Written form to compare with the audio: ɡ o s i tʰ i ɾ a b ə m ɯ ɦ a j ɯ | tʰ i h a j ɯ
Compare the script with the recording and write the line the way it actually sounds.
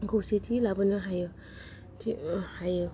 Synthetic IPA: ɡ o s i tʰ i l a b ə n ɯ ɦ a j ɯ | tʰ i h a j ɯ